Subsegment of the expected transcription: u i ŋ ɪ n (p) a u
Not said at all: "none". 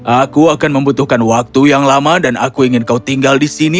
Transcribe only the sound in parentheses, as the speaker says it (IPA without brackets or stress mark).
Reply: k